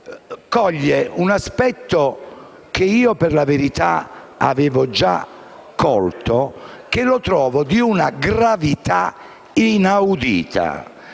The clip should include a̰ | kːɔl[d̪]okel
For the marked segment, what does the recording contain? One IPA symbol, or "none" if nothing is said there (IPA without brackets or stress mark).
t̪